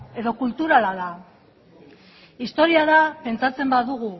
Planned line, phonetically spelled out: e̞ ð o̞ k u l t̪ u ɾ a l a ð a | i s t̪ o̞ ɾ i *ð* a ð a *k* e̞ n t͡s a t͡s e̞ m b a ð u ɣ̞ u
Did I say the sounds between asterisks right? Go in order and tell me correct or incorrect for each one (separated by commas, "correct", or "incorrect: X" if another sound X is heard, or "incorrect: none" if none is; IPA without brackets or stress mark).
incorrect: none, incorrect: p